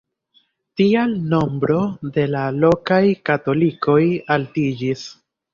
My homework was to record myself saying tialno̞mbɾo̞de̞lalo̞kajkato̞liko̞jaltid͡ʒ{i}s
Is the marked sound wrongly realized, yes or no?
no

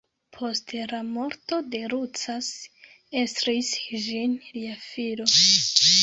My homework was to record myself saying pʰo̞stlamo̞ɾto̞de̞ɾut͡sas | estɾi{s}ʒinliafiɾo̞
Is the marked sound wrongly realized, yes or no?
no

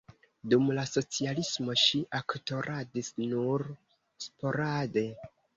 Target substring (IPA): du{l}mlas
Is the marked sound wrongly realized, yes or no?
yes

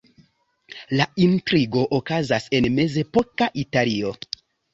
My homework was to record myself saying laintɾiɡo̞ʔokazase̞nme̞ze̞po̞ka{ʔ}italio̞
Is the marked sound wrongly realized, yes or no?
no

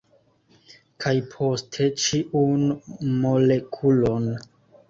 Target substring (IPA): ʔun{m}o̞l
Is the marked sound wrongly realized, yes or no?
no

